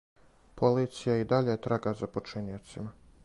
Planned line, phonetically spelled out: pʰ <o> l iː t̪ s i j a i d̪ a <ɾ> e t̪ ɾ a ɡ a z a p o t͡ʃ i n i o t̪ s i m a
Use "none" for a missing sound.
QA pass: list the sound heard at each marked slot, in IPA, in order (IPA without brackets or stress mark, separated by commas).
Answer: o, ʎ